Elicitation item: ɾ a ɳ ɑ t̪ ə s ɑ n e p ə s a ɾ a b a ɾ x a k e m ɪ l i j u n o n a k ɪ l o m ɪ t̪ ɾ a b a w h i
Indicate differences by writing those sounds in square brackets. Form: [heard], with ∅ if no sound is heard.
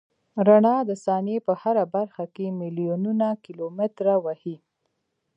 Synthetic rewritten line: ɾ a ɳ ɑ [d̪] ə s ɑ n e p ə [h] a ɾ a b a ɾ x a k e m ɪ l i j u n [u] n a k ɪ l o m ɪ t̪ ɾ a [w] a [∅] h i